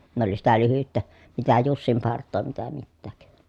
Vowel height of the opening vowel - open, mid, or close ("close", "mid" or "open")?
mid